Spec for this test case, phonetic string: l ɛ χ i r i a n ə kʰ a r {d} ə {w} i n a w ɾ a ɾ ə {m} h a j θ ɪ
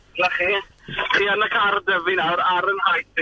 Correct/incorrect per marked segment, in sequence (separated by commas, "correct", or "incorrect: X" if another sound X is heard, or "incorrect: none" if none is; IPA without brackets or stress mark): correct, incorrect: v, incorrect: n